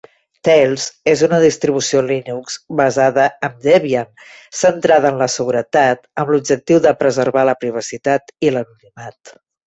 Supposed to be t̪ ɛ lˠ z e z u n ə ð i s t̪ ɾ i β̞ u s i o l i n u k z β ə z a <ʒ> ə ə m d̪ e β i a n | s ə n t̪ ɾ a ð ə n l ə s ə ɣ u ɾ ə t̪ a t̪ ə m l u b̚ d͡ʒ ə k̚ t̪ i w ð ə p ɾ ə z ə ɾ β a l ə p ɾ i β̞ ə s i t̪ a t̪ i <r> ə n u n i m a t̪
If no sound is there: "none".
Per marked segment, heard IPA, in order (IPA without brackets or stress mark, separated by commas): ð, l